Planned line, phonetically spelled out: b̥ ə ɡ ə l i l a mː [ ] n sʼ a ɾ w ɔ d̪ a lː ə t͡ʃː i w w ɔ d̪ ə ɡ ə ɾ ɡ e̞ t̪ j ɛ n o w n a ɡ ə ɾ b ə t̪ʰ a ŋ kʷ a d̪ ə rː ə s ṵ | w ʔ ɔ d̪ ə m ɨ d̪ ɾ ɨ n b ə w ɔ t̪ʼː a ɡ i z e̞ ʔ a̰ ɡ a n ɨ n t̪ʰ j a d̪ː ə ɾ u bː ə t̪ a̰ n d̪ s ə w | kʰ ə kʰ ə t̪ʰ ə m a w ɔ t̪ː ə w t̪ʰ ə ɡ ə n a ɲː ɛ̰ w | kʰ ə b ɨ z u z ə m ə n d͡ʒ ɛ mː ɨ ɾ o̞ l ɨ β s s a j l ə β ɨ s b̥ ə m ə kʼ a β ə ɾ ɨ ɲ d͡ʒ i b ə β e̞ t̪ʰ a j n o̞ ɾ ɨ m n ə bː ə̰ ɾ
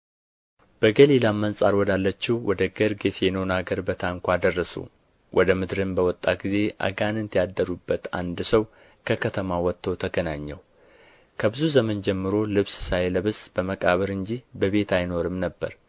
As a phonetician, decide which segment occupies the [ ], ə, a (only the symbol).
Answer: ə